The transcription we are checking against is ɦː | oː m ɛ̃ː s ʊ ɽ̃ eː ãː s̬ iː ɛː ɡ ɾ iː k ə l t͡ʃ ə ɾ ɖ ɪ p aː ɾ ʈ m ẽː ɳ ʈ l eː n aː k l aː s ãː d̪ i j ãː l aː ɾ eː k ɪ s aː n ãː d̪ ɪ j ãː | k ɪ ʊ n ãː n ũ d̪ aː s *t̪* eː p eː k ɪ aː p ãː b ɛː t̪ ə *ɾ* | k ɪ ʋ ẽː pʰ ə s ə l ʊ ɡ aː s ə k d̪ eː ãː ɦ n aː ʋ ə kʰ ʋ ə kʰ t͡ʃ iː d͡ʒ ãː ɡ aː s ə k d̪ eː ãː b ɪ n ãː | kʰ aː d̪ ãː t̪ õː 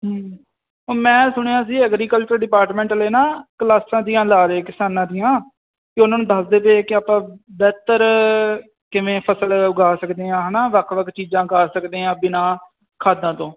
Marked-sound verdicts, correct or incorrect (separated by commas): incorrect, correct